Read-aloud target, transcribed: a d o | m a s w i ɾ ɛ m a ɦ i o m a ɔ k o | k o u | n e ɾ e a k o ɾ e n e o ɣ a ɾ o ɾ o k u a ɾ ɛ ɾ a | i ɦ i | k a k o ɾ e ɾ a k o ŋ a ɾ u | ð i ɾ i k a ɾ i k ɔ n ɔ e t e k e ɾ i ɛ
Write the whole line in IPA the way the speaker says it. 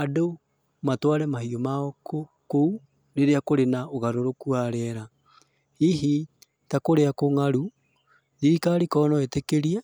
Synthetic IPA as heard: a d o | m a t w a ɾ ɛ m a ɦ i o m a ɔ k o | k o u | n e ɾ e a k o ɾ e n a o ɣ a ɾ o ɾ o k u a ɾ ɛ ɾ a | i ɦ i | t a k o ɾ e a k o ŋ a ɾ u | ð i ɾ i k a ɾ i k ɔ n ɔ e t e k e ɾ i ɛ